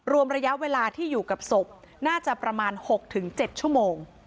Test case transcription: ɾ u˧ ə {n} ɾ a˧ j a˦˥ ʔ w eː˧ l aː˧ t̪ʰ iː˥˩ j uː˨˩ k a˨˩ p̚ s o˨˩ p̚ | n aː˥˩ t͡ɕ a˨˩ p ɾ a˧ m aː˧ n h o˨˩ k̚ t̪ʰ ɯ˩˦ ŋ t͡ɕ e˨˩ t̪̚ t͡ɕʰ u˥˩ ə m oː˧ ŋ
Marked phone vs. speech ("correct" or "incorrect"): incorrect